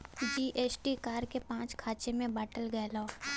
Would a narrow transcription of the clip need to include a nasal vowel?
yes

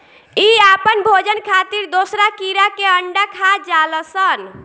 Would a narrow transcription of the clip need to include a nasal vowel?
no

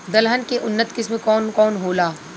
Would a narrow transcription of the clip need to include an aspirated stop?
no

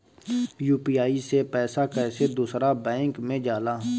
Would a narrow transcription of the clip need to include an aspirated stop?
no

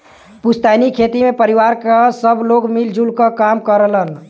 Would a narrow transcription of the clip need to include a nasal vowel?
no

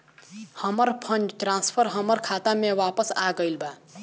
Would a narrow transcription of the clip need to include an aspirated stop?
yes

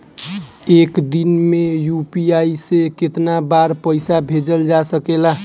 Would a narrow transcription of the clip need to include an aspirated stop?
no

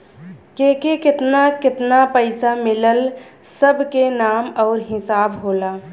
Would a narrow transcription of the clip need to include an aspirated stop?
no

